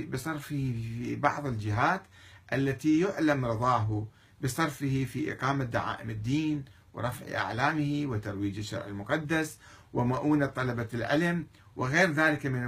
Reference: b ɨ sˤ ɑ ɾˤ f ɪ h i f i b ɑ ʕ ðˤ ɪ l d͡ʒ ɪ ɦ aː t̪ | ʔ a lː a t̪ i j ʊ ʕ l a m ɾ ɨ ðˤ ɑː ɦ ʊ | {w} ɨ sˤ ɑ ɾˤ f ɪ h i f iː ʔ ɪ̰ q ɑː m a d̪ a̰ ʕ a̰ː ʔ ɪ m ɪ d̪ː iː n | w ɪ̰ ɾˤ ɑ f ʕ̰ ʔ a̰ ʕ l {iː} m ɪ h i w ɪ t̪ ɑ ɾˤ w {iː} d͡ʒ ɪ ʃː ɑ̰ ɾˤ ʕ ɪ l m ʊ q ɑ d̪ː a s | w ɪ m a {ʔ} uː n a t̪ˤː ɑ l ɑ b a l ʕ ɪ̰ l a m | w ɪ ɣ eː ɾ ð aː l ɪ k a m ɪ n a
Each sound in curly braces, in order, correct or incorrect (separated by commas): incorrect, incorrect, correct, correct